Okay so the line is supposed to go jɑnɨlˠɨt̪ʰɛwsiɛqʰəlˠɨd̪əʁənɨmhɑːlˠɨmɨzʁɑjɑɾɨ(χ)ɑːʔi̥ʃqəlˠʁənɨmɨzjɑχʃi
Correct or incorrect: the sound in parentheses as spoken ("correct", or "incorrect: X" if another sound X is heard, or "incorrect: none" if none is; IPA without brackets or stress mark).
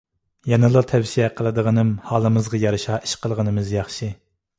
incorrect: ʃ